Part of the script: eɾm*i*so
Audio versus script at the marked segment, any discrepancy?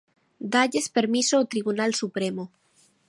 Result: no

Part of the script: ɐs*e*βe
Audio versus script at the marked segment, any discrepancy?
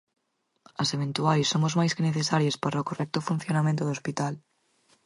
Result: no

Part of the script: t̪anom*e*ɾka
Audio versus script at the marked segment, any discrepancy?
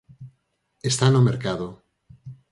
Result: no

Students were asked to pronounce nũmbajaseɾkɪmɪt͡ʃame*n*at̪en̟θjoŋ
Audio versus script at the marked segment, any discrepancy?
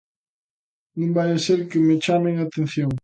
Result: yes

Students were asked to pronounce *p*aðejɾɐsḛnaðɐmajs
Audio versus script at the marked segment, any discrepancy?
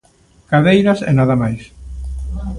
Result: yes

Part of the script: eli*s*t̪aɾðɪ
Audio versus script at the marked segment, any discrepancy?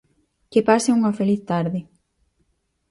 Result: yes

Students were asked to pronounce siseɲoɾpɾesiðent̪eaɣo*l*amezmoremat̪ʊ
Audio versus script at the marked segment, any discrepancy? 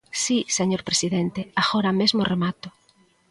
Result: yes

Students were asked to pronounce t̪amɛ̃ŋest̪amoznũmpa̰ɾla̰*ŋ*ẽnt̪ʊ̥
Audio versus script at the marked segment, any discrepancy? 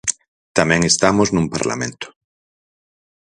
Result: yes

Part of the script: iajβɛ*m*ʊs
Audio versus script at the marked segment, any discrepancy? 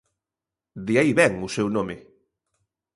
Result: yes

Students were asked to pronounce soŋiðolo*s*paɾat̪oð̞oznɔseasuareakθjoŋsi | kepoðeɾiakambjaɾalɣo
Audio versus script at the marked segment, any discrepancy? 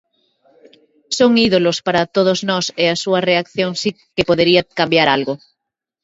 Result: no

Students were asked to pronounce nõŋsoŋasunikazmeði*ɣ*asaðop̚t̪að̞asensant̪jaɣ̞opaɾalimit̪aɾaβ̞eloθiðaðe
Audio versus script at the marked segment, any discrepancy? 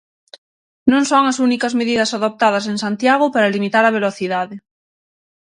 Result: yes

